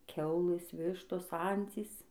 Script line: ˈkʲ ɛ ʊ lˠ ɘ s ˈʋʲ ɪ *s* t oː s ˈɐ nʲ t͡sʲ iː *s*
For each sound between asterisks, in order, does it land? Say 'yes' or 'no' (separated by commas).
no, yes